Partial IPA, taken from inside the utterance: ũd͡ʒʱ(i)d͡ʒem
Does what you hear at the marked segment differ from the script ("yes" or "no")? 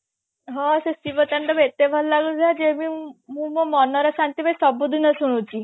yes